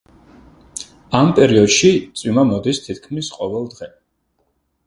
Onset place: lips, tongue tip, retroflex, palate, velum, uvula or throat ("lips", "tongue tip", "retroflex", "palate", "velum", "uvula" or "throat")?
lips